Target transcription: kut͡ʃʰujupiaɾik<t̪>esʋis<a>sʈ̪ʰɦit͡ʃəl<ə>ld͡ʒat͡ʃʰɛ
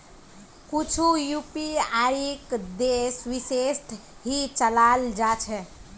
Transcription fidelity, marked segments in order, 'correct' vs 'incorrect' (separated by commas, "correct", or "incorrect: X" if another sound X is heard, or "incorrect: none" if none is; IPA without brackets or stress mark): incorrect: d̪, incorrect: e, incorrect: a